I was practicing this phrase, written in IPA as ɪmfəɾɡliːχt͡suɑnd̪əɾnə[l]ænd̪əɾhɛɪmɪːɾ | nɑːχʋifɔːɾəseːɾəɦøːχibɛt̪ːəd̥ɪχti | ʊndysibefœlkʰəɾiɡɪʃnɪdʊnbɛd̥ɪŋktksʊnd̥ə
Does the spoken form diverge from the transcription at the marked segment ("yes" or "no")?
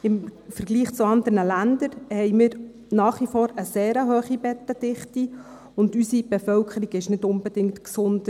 no